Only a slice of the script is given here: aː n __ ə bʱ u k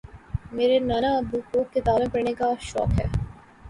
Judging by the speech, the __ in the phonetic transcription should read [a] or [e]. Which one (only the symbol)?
a